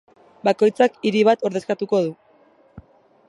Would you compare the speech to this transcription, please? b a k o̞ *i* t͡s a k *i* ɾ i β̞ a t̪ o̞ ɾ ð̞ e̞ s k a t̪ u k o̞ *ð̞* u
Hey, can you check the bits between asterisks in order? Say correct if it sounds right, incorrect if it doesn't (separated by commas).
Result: incorrect, correct, correct